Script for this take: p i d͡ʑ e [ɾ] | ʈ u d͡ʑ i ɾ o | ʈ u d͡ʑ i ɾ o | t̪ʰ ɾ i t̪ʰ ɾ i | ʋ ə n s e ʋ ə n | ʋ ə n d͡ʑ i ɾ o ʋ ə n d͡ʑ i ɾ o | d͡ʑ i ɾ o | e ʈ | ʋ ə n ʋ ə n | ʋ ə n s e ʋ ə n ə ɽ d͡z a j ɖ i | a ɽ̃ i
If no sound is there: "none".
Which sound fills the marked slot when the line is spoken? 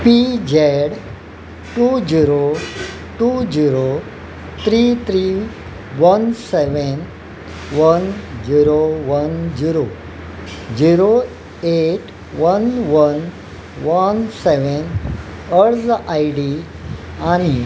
ɽ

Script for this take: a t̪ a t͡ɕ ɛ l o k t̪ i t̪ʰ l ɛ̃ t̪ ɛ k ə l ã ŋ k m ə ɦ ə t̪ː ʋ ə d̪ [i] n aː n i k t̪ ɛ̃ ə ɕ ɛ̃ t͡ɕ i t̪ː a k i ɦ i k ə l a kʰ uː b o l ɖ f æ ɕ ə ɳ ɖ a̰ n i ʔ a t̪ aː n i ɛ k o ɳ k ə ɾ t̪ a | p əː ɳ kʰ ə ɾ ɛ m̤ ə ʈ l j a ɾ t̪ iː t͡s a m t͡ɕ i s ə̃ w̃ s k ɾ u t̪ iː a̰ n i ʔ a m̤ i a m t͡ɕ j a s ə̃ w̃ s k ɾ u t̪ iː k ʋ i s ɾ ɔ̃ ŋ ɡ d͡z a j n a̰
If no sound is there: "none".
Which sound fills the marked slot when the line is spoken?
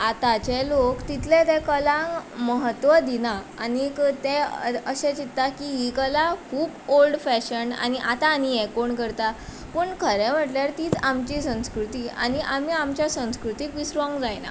i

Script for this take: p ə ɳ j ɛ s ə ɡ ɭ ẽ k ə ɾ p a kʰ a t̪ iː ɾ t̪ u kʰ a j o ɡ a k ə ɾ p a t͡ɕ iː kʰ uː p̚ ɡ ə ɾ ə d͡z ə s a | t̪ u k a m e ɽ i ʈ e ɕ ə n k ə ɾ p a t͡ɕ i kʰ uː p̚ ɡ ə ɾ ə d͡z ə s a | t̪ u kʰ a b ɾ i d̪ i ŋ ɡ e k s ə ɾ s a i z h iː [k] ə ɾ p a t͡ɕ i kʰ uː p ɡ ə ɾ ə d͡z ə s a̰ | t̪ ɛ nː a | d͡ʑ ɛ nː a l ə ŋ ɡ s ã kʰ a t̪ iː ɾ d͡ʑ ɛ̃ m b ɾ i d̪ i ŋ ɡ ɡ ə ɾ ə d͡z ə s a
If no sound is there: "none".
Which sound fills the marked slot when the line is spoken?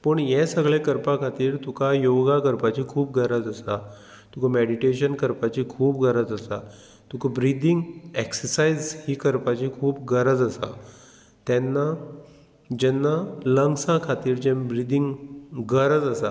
k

